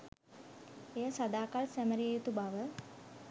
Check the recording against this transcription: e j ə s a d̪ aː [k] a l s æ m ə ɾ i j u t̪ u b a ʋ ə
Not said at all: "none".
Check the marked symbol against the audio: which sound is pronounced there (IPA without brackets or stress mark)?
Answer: k